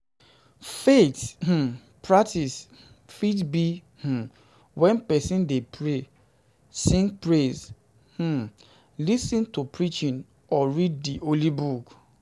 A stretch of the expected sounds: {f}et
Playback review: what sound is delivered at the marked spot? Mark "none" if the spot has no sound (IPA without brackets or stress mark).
f